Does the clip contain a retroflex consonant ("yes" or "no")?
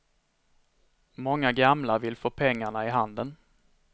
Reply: yes